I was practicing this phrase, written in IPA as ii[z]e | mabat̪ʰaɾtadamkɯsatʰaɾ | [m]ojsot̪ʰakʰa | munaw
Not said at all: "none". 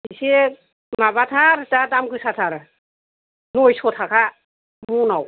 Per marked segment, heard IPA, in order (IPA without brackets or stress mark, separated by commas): s, n